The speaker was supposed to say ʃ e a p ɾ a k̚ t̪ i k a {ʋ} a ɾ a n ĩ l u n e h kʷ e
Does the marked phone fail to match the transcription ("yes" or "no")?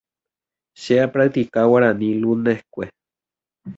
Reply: yes